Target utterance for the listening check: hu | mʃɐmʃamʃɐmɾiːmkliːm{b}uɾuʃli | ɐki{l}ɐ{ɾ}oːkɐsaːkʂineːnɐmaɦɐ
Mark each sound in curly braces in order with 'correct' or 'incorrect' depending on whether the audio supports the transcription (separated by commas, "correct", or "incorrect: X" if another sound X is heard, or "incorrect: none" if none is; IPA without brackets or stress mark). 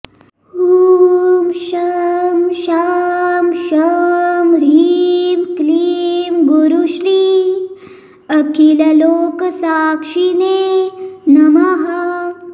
incorrect: ɡ, correct, incorrect: l